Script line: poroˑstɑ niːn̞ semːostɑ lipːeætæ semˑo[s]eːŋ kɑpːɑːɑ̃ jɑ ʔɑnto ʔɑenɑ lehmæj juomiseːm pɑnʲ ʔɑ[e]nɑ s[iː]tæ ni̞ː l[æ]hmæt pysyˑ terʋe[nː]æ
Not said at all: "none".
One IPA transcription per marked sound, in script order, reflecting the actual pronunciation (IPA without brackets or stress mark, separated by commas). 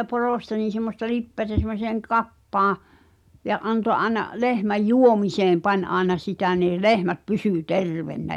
s, e, i, e, nː